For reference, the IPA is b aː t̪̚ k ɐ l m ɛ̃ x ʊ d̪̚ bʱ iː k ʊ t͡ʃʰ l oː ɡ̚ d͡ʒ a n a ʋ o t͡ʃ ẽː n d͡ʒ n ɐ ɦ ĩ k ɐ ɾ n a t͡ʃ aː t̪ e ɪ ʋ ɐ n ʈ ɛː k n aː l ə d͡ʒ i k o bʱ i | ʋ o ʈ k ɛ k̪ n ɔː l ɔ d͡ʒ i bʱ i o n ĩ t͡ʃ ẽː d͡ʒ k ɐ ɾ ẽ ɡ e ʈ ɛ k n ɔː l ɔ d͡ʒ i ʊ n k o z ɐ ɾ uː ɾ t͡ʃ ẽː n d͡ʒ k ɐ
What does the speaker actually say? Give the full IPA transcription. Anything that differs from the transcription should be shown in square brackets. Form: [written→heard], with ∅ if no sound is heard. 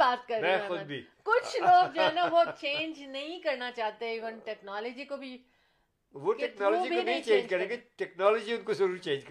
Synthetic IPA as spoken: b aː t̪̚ k ɐ [l→ɾ] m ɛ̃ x ʊ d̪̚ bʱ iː k ʊ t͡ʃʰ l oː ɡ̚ d͡ʒ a n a ʋ o t͡ʃ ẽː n d͡ʒ n ɐ ɦ ĩ k ɐ ɾ n a t͡ʃ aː t̪ e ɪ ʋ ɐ n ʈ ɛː k n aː l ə d͡ʒ i k o bʱ i | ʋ o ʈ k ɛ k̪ n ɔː l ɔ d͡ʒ i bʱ i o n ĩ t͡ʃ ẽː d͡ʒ k ɐ ɾ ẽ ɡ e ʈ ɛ k n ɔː l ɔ d͡ʒ i ʊ n k o z ɐ ɾ uː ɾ t͡ʃ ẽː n d͡ʒ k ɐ